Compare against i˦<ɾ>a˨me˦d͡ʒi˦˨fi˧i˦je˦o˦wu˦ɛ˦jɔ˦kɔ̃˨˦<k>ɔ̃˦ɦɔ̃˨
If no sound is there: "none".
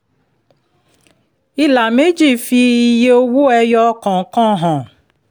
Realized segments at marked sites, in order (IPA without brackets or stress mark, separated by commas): l, k